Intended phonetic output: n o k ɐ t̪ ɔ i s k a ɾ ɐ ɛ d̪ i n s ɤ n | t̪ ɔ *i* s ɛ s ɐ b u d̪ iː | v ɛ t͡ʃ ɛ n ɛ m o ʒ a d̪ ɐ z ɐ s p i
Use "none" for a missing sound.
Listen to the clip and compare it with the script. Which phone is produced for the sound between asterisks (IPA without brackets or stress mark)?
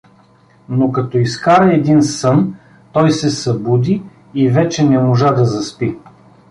j